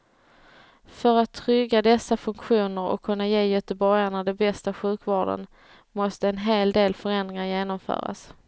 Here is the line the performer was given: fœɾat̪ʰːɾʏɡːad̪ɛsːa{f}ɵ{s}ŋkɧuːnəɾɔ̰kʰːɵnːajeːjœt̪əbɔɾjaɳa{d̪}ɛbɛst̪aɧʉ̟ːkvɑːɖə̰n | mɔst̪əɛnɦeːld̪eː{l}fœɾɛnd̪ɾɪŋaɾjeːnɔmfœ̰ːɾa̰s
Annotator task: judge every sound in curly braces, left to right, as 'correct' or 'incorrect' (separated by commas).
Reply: correct, incorrect, correct, correct